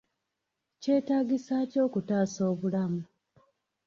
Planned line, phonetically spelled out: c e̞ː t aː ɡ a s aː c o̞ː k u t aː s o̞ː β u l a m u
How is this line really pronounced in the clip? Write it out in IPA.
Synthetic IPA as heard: c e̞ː t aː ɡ i s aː c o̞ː k u t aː s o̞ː β u l a m u